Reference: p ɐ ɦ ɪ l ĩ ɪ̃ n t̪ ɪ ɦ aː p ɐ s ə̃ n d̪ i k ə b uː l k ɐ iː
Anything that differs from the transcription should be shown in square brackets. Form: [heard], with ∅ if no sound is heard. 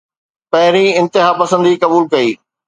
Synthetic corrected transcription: p ɐ ɦ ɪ [ɾ] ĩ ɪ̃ n t̪ ɪ ɦ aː p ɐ s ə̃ n d̪ i k [ɐ] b uː l k ɐ iː